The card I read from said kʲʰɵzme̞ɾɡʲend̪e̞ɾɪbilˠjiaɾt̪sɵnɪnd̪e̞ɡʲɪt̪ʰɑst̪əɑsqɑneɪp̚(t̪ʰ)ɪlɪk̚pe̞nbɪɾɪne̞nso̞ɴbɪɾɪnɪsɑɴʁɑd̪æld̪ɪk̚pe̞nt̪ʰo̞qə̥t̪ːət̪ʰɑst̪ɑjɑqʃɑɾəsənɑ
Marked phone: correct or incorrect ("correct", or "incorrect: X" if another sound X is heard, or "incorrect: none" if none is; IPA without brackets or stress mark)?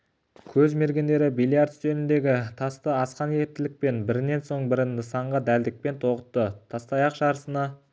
incorrect: t̪